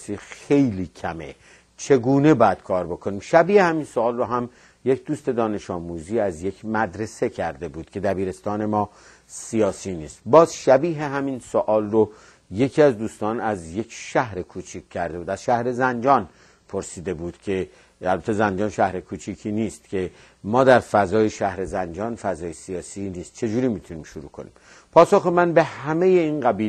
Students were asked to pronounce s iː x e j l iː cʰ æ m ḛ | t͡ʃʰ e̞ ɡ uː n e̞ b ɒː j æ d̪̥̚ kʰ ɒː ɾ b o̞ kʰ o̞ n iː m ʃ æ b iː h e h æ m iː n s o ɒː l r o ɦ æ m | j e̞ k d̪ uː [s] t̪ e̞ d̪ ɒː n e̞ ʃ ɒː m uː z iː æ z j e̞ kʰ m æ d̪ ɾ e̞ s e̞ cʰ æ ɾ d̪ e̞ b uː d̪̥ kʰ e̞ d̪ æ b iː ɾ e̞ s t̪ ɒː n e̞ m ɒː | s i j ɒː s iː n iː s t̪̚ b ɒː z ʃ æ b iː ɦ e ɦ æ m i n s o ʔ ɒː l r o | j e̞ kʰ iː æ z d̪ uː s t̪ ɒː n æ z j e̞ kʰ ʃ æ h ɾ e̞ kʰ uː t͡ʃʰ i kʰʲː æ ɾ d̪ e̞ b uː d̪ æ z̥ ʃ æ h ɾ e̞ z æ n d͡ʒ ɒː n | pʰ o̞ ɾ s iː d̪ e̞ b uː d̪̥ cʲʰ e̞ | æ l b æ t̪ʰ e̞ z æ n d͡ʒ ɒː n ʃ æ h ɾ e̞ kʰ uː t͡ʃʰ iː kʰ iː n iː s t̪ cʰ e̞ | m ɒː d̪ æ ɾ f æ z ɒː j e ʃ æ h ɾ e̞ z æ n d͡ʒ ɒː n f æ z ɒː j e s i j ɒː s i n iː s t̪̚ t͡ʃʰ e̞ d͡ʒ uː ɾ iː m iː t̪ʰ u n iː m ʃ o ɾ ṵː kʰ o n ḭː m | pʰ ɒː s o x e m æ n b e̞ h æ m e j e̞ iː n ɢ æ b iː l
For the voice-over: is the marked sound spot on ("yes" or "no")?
yes